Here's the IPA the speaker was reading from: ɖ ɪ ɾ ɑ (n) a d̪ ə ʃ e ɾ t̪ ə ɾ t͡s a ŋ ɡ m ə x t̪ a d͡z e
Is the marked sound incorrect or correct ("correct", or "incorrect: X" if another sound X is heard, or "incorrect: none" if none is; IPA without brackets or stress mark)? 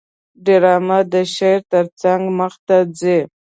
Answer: incorrect: m